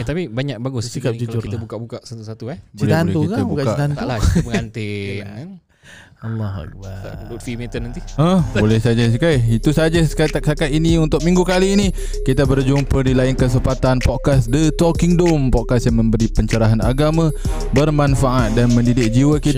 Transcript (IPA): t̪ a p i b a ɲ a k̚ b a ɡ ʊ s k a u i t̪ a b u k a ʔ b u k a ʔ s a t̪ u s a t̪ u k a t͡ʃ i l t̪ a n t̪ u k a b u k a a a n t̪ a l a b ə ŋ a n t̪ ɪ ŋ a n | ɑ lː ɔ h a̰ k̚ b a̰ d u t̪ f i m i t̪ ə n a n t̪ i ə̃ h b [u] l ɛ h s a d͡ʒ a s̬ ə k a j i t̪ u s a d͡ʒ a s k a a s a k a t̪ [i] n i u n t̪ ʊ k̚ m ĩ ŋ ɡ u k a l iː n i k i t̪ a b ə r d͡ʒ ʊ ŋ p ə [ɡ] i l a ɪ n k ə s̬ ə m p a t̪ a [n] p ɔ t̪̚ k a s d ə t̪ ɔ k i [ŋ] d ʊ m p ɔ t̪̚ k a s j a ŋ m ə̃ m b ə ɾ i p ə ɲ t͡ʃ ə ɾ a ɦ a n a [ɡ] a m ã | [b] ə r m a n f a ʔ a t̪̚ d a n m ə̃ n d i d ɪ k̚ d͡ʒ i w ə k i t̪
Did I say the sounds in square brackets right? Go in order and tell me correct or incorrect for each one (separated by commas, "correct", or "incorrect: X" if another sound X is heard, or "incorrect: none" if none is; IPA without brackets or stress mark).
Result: incorrect: o, correct, incorrect: d, correct, correct, correct, correct